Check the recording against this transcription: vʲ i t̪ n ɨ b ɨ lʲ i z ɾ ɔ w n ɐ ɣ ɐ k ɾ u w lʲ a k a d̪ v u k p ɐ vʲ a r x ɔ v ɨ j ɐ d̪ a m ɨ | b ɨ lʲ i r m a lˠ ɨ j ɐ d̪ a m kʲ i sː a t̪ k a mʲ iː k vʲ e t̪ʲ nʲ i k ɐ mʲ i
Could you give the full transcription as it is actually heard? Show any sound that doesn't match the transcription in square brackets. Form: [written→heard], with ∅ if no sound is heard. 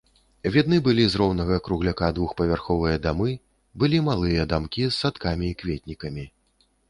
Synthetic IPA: vʲ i [t̪→d̪] n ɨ b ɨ lʲ i z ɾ ɔ w n ɐ ɣ ɐ k ɾ u [w→ɣ] lʲ a k a d̪ v u [k→x] p ɐ vʲ a r x ɔ v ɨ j ɐ d̪ a m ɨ | b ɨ lʲ i [r→∅] m a lˠ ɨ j ɐ d̪ a m kʲ i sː a t̪ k a mʲ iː k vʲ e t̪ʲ nʲ i k ɐ mʲ i